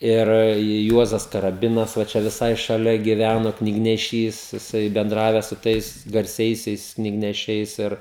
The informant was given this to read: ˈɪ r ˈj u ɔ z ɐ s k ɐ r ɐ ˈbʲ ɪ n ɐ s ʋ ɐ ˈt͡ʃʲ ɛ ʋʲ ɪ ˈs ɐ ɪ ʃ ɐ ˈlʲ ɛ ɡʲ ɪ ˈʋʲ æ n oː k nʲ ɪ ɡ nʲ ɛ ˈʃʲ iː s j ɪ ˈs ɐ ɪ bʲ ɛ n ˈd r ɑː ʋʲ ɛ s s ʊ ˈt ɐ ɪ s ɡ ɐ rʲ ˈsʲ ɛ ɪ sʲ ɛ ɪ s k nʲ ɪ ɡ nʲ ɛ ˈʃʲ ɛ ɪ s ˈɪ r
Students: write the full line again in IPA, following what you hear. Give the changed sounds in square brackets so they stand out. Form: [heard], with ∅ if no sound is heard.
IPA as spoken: ˈɪ r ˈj u ɔ z ɐ s k ɐ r ɐ ˈbʲ ɪ n ɐ s ʋ ɐ ˈt͡ʃʲ ɛ ʋʲ ɪ ˈs ɐ ɪ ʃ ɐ ˈlʲ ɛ ɡʲ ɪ ˈʋʲ æ n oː k nʲ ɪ ɡ nʲ ɛ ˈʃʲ iː s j ɪ ˈs ɐ ɪ bʲ ɛ n ˈd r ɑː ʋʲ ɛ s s ʊ ˈt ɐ ɪ s ɡ ɐ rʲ ˈsʲ ɛ ɪ sʲ ɛ ɪ s k nʲ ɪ ɡ nʲ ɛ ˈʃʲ ɛ ɪ s ˈɪ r

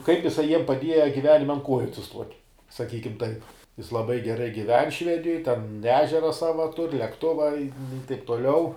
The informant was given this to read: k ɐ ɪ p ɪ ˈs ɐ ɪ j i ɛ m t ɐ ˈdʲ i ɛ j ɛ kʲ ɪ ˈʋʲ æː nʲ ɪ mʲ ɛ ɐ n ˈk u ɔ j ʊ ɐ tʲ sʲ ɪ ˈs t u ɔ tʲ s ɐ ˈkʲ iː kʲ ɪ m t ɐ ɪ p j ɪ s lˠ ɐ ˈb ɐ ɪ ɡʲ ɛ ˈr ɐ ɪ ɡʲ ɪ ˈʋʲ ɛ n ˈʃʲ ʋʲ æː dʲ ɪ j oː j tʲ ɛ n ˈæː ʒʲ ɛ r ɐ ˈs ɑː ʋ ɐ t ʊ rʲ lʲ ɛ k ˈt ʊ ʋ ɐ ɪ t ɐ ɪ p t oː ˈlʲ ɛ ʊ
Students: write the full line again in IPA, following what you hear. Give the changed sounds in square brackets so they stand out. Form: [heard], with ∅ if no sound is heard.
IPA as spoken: k ɐ ɪ p ɪ ˈs ɐ ɪ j i ɛ m [p] ɐ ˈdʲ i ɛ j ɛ [ɡʲ] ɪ ˈʋʲ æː nʲ ɪ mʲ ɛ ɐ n ˈk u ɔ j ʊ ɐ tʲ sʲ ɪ ˈs t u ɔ tʲ s ɐ ˈkʲ iː kʲ ɪ m t ɐ ɪ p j ɪ s lˠ ɐ ˈb ɐ ɪ ɡʲ ɛ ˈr ɐ ɪ ɡʲ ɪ ˈʋʲ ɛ n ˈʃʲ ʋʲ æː dʲ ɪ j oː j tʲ ɛ n ˈæː ʒʲ ɛ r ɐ ˈs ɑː ʋ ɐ t ʊ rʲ lʲ ɛ k ˈt ʊ ʋ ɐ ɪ t ɐ ɪ p t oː ˈlʲ ɛ ʊ

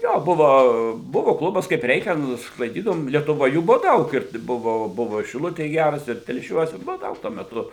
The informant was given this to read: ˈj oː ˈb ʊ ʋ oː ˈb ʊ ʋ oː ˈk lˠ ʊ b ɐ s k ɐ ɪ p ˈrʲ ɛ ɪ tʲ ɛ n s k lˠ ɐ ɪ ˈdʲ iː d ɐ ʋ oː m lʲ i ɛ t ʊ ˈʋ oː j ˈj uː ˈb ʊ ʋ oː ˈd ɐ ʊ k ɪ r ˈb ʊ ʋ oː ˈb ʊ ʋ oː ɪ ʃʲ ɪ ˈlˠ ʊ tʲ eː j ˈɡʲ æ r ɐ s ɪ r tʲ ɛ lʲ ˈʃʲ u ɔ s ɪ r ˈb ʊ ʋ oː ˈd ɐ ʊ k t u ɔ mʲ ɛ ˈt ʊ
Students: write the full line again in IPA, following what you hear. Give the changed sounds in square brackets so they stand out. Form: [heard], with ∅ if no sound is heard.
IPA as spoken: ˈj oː ˈb ʊ ʋ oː ˈb ʊ ʋ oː ˈk lˠ ʊ b ɐ s k ɐ ɪ p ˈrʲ ɛ ɪ [kʲ] ɛ n s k lˠ ɐ ɪ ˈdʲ iː d ɐ ʋ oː m lʲ i ɛ t ʊ ˈʋ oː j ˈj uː ˈb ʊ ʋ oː ˈd ɐ ʊ k ɪ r ˈb ʊ ʋ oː ˈb ʊ ʋ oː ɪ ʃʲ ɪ ˈlˠ ʊ tʲ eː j ˈɡʲ æ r ɐ s ɪ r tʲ ɛ lʲ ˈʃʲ u ɔ s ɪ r ˈb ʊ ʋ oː ˈd ɐ ʊ k t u ɔ mʲ ɛ ˈt ʊ

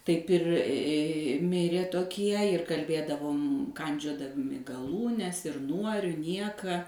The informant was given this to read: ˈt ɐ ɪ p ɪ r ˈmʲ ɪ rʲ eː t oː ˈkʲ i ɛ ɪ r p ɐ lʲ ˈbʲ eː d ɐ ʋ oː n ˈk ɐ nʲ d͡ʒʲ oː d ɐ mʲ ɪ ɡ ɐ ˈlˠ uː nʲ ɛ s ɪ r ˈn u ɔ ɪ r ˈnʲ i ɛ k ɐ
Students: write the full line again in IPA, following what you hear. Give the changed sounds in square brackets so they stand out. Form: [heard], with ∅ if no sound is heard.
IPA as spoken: ˈt ɐ ɪ p ɪ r ˈmʲ ɪ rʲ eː t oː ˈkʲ i ɛ ɪ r [k] ɐ lʲ ˈbʲ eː d ɐ ʋ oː [m] ˈk ɐ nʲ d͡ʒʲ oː d ɐ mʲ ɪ ɡ ɐ ˈlˠ uː nʲ ɛ s ɪ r ˈn u ɔ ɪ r ˈnʲ i ɛ k ɐ

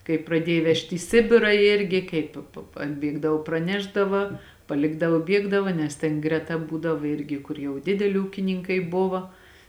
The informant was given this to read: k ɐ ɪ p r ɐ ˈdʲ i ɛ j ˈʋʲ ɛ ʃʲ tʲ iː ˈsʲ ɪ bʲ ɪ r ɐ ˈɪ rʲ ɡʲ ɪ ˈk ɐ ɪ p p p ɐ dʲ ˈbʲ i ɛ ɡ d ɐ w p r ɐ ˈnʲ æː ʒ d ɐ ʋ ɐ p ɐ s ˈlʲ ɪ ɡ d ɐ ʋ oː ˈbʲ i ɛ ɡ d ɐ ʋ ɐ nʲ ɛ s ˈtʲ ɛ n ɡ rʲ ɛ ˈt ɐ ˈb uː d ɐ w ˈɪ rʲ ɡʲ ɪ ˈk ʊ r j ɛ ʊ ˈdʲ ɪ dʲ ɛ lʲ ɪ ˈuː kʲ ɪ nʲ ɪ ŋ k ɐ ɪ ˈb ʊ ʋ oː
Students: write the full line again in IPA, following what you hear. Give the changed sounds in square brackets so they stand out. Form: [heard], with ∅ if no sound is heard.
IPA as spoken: k ɐ ɪ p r ɐ ˈdʲ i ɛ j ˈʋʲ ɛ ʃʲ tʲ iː ˈsʲ ɪ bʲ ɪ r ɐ ˈɪ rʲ ɡʲ ɪ ˈk ɐ ɪ p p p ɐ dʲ ˈbʲ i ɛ ɡ d ɐ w p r ɐ ˈnʲ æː ʒ d ɐ ʋ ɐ p ɐ [∅] ˈlʲ ɪ ɡ d ɐ ʋ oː ˈbʲ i ɛ ɡ d ɐ ʋ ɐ nʲ ɛ s ˈtʲ ɛ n ɡ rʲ ɛ ˈt ɐ ˈb uː d ɐ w ˈɪ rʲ ɡʲ ɪ ˈk ʊ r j ɛ ʊ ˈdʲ ɪ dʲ ɛ lʲ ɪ ˈuː kʲ ɪ nʲ ɪ ŋ k ɐ ɪ ˈb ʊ ʋ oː

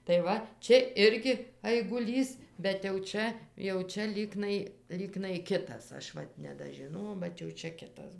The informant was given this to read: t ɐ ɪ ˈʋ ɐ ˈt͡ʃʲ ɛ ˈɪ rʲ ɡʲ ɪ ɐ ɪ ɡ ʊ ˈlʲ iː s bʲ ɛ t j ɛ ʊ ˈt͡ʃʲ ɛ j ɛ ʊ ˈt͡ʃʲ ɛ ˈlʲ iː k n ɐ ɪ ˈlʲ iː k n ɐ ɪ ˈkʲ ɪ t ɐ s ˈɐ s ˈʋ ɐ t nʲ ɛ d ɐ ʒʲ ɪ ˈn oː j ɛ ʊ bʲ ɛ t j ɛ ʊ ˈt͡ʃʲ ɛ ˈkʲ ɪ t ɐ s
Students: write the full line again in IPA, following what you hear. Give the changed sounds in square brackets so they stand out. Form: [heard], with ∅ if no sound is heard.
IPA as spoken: t ɐ ɪ ˈʋ ɐ ˈt͡ʃʲ ɛ ˈɪ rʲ ɡʲ ɪ ɐ ɪ ɡ ʊ ˈlʲ iː s bʲ ɛ t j ɛ ʊ ˈt͡ʃʲ ɛ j ɛ ʊ ˈt͡ʃʲ ɛ ˈlʲ iː k n ɐ ɪ ˈlʲ iː k n ɐ ɪ ˈkʲ ɪ t ɐ s ˈɐ [ʃ] ˈʋ ɐ t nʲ ɛ d ɐ ʒʲ ɪ ˈn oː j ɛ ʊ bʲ ɛ t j ɛ ʊ ˈt͡ʃʲ ɛ ˈkʲ ɪ t ɐ s

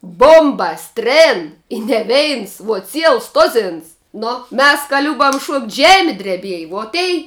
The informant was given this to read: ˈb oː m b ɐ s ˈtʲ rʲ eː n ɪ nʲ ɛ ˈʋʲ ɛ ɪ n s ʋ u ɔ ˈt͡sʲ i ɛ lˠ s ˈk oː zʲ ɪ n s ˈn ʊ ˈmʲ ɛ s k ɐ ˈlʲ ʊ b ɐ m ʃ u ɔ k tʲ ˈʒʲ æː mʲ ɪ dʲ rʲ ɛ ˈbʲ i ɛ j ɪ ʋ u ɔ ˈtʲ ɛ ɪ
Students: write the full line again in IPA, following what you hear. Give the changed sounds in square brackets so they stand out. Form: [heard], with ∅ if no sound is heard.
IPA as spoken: ˈb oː m b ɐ s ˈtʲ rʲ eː n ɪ nʲ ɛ ˈʋʲ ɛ ɪ n s ʋ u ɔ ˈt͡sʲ i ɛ lˠ s [ˈt] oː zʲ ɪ n s ˈn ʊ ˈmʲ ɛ s k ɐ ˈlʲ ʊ b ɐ m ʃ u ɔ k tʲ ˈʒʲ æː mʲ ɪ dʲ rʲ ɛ ˈbʲ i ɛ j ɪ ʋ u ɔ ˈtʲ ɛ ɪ

